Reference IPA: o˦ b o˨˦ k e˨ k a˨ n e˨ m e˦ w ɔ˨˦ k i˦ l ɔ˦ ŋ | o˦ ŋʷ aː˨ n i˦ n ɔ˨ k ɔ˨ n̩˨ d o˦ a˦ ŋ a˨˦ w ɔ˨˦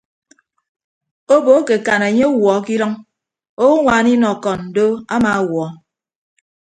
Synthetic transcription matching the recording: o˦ b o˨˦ k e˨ k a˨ n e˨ ɲ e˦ w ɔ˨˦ k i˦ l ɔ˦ ŋ | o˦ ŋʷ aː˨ n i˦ n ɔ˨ k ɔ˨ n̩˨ d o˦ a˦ m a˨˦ w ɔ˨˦

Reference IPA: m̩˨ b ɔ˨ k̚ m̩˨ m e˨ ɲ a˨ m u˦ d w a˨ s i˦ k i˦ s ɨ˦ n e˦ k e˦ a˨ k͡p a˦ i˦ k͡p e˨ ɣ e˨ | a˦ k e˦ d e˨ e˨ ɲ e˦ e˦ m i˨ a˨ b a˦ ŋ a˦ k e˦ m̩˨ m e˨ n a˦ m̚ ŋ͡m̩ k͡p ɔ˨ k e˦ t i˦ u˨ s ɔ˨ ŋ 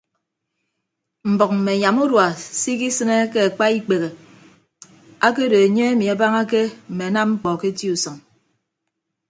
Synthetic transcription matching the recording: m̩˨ b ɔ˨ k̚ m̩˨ m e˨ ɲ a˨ m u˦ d w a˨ s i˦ k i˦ s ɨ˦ n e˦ k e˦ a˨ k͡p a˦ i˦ k͡p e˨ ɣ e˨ | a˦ k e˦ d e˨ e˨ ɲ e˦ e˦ m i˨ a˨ b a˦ ŋ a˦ k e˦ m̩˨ m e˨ n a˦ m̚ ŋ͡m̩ k͡p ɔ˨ k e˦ t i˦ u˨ s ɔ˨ ŋ

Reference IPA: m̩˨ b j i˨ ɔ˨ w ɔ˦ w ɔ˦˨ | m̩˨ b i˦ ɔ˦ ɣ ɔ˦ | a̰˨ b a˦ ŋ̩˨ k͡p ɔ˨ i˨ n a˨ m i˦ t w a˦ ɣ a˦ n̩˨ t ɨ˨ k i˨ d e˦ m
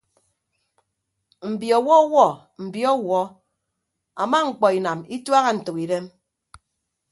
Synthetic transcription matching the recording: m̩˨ b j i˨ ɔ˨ w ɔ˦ w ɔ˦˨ | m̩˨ b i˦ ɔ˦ w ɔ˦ | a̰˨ m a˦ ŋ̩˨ k͡p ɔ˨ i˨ n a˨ m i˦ t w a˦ ɣ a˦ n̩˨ t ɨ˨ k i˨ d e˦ m

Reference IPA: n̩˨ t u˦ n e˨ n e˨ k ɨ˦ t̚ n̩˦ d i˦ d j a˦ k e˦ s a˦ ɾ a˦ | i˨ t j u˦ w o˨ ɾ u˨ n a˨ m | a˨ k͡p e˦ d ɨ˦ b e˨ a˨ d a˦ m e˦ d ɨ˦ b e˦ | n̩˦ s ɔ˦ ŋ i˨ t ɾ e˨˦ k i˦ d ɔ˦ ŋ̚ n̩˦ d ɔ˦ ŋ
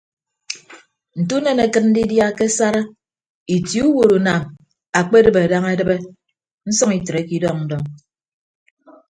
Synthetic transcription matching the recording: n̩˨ t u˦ n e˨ n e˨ k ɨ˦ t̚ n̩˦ d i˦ d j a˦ k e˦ s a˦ ɾ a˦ | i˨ t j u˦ w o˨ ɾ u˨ n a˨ m | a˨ k͡p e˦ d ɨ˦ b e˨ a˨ d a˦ ŋ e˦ d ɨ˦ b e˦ | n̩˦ s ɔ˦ ŋ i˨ t ɾ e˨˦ k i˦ d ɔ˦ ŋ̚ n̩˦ d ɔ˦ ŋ

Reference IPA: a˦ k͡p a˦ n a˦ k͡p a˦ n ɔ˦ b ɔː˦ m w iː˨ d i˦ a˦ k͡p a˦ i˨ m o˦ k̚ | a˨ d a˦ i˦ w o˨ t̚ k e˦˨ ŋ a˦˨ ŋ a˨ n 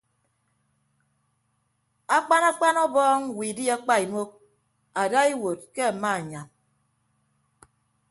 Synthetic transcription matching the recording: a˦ k͡p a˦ n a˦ k͡p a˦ n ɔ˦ b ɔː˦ ŋ w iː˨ d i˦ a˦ k͡p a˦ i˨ m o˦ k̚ | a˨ d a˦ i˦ w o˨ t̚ k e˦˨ m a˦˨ ɲ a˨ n

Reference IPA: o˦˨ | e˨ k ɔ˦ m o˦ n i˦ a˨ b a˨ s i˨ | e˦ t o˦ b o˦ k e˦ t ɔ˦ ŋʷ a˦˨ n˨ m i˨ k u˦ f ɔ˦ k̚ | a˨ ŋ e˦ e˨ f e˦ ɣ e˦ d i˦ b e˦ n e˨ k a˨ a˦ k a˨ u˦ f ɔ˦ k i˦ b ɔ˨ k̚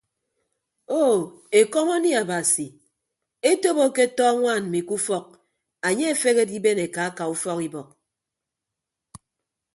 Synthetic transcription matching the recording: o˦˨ | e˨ k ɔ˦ m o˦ n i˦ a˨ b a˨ s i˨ | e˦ t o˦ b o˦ k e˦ t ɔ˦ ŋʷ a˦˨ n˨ m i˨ k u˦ f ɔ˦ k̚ | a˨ ɲ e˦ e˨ f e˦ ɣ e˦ d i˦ b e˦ n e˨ k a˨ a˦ k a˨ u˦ f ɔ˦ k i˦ b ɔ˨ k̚

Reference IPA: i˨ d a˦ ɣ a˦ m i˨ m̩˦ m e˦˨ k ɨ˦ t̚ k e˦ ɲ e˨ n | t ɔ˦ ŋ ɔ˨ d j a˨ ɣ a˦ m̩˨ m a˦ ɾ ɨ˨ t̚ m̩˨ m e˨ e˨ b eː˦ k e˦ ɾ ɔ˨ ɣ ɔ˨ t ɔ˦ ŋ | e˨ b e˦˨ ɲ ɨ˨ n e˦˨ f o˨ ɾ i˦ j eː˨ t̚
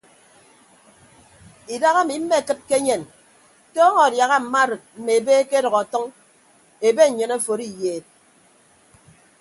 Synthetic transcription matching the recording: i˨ d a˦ ɣ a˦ m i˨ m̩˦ m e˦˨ k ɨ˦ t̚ k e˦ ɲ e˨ n | t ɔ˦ ŋ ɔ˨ d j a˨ ɣ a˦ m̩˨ m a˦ ɾ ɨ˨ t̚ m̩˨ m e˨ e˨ b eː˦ k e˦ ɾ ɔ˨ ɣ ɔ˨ t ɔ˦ ŋ | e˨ b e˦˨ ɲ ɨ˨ n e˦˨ f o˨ ɾ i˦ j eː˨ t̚

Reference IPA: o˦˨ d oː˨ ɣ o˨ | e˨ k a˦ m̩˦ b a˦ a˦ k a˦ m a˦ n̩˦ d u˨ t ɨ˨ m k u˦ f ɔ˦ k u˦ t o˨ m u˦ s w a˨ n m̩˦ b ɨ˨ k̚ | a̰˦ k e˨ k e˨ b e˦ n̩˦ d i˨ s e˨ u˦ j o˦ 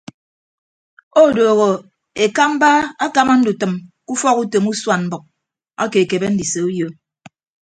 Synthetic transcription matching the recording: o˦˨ d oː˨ ɣ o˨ | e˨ k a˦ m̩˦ b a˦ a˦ k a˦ m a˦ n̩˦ d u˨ t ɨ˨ m k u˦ f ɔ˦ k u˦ t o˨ m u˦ s w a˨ n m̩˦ b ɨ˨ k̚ | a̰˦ k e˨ k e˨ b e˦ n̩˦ d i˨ s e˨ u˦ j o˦

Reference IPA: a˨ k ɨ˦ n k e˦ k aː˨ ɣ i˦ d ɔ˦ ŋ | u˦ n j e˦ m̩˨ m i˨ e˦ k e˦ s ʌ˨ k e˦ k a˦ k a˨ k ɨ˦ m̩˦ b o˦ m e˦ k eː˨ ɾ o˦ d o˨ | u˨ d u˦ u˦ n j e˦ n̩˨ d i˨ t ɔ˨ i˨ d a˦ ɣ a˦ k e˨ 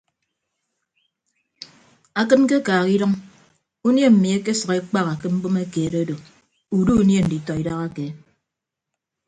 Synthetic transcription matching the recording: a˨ k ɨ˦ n k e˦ k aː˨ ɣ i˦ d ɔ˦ ŋ | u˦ n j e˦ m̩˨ m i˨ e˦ k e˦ s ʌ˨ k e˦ k͡p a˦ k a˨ k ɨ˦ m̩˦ b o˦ m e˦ k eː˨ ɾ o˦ d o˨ | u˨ d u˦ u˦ n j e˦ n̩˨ d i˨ t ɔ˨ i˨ d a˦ ɣ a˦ k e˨

